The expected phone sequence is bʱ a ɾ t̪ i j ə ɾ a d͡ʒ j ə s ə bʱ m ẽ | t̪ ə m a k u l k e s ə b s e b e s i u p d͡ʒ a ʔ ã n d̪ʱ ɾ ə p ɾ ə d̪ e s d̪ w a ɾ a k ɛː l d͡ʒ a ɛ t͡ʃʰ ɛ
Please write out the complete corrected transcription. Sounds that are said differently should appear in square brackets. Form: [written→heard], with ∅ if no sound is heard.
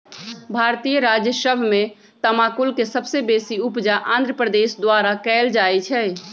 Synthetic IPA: bʱ a ɾ t̪ i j ə ɾ a d͡ʒ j ə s ə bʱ m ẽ | t̪ ə m a k u l k e s ə b s e b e s i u p d͡ʒ a ʔ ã n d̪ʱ ɾ ə p ɾ ə d̪ e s d̪ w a ɾ a k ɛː l d͡ʒ a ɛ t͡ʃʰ ɛ